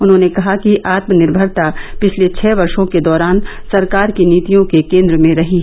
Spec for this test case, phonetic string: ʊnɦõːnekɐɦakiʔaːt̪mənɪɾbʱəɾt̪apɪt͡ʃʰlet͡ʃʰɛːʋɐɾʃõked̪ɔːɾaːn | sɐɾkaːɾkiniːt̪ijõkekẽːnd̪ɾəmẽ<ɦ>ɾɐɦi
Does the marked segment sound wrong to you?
yes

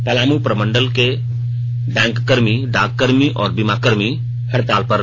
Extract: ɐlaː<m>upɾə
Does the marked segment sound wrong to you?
no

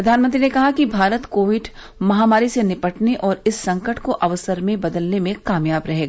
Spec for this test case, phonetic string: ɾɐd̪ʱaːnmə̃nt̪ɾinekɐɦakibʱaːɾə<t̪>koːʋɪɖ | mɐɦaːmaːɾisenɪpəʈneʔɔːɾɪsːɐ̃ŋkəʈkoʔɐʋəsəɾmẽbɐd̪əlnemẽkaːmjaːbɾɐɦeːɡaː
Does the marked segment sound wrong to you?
no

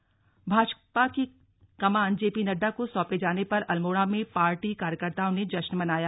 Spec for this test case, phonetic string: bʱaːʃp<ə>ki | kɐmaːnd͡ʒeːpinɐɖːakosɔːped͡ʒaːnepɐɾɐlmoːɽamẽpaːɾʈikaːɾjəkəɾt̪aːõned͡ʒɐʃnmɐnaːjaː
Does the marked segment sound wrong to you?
yes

